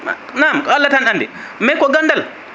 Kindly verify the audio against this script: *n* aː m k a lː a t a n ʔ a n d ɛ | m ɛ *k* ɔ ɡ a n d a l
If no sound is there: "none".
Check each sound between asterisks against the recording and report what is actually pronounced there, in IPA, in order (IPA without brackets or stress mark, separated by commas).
n, k